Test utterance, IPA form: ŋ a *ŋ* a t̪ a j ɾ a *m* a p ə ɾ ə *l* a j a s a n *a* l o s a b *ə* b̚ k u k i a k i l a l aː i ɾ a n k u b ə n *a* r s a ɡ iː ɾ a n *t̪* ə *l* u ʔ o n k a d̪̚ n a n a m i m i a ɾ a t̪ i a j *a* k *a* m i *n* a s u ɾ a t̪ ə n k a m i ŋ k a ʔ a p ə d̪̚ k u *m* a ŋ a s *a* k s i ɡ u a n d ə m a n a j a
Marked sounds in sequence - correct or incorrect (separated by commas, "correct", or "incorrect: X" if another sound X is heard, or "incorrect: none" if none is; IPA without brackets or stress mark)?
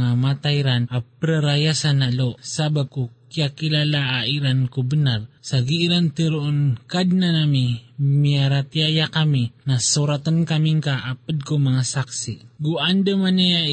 incorrect: m, incorrect: n, incorrect: ɾ, correct, incorrect: a, correct, correct, incorrect: ɾ, correct, correct, correct, correct, correct